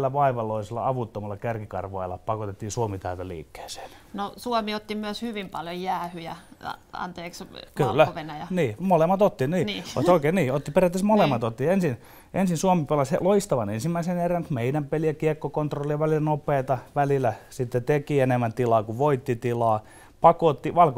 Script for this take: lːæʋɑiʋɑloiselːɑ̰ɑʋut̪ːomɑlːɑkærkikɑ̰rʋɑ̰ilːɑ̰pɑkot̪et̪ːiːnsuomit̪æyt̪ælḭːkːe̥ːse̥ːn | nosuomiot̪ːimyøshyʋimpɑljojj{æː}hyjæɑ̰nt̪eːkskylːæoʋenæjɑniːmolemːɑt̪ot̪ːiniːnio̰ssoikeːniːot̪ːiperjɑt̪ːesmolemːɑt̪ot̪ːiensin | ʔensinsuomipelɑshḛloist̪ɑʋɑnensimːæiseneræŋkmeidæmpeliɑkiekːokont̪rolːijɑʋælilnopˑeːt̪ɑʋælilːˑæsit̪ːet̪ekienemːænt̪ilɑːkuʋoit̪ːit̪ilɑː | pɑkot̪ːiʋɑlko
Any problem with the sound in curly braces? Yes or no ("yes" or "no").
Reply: no